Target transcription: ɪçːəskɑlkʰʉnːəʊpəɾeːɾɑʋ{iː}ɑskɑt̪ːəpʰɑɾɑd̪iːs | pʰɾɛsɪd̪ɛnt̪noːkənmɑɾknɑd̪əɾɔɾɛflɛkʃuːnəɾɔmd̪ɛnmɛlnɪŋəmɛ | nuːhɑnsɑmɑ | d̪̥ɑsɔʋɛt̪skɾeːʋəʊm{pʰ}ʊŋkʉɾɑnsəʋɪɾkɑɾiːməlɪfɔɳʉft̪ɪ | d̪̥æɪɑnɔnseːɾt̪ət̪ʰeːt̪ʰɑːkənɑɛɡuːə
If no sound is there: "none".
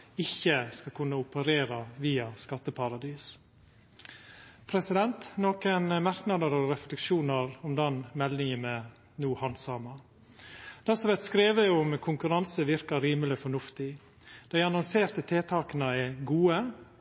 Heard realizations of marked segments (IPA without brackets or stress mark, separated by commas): iː, kʰ